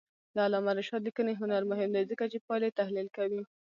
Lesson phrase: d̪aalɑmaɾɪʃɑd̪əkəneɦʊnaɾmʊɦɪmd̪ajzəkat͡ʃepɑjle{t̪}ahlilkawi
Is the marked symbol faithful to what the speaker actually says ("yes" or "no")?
yes